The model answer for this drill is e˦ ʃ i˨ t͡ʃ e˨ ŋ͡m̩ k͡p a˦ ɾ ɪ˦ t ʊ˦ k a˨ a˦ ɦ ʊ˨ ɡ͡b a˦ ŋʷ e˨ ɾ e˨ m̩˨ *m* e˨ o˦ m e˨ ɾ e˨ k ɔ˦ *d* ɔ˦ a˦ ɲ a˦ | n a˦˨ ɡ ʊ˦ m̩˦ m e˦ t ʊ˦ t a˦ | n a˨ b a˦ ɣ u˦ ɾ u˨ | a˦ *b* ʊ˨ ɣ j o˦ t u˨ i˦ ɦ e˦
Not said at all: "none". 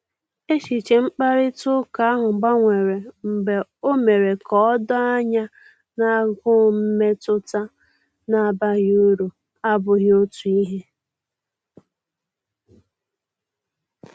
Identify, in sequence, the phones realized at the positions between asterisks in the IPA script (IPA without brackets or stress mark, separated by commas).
b, d, b